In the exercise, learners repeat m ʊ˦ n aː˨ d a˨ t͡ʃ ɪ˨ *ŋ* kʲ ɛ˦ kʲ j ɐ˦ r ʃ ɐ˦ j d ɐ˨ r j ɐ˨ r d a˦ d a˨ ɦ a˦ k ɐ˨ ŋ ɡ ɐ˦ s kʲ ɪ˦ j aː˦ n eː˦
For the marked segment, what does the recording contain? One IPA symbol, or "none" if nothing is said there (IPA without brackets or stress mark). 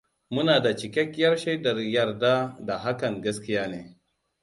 none